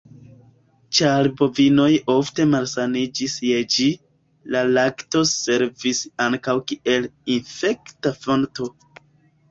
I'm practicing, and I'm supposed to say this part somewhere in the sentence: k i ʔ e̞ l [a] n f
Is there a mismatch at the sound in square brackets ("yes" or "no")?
yes